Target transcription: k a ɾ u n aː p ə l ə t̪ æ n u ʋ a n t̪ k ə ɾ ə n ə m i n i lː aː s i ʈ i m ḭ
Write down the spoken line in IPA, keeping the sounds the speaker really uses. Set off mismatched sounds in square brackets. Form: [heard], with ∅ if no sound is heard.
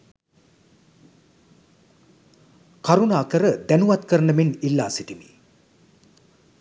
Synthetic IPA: k a ɾ u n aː [k] ə [ɾ] ə [d̪] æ n u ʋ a [∅] t̪ k ə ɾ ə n ə m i n i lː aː s i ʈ i m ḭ